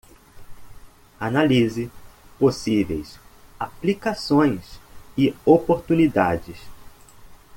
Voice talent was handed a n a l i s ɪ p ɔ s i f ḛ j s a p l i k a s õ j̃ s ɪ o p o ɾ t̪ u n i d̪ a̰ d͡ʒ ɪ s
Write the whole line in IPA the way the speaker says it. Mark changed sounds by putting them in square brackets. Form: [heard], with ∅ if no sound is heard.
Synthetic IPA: a n a l i [z] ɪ p [o] s i [v] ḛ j s a p l i k a s õ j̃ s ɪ o p o ɾ t̪ u n i d̪ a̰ d͡ʒ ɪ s